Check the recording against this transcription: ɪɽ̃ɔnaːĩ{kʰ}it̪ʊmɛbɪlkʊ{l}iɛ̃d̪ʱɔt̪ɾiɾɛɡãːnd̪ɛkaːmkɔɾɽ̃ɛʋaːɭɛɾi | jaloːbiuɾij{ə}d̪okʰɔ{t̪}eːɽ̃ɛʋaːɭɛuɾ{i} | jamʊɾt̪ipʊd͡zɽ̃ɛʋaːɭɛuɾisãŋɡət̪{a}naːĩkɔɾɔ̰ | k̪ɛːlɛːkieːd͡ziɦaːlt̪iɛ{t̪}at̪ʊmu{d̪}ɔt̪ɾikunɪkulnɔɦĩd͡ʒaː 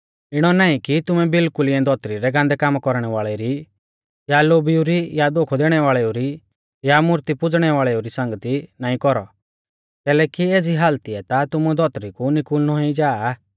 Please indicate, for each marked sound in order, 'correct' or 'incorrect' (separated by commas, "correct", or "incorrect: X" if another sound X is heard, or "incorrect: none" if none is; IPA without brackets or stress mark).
incorrect: k, correct, incorrect: a, incorrect: d̪, correct, incorrect: i, correct, correct